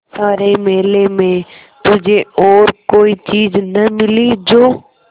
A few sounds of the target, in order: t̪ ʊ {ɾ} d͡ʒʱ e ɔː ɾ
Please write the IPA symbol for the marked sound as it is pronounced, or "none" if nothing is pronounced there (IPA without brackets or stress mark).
none